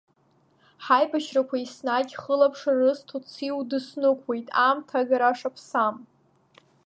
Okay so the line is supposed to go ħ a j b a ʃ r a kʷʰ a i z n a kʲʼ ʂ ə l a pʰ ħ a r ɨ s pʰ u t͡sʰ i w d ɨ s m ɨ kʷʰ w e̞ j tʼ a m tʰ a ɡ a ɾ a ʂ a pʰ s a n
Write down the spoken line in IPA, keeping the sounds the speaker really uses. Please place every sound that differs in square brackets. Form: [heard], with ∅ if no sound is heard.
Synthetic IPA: ħ a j b a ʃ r a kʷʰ a i [s] n a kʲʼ [χ] ə l a pʰ [ʂ] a r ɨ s [tʰ] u t͡sʰ i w d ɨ s [n] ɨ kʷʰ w e̞ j tʼ a m tʰ a ɡ a ɾ a ʂ a pʰ s a [m]

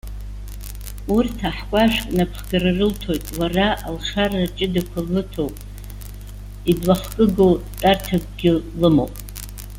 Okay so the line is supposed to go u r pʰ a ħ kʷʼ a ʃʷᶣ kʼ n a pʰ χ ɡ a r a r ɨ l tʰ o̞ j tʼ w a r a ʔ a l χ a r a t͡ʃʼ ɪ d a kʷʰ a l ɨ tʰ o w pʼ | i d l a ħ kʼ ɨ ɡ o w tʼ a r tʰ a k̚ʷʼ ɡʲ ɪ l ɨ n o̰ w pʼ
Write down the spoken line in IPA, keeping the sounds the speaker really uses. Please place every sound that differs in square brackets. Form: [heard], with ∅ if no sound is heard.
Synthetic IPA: u r [tʰ] a ħ kʷʼ a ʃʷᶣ kʼ n a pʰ χ ɡ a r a r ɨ l tʰ o̞ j tʼ w a r a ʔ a l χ a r a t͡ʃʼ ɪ d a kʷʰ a l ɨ tʰ o w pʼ | i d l a [χ] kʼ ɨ ɡ o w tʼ a r tʰ a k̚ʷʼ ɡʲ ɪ l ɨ [m] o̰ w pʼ

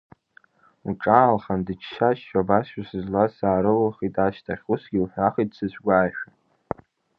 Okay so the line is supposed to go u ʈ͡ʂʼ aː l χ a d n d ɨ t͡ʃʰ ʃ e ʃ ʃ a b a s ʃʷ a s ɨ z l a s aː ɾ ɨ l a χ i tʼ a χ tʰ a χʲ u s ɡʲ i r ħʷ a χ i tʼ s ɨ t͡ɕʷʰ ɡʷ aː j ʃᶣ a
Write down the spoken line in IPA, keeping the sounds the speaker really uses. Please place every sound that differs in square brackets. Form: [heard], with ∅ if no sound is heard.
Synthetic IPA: u ʈ͡ʂʼ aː l χ a [∅] n d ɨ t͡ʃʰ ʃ [a] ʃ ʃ a b a s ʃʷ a s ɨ z l a s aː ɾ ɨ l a χ i tʼ a [ʃ] tʰ a χʲ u s ɡʲ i [l] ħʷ a χ i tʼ s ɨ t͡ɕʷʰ ɡʷ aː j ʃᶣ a

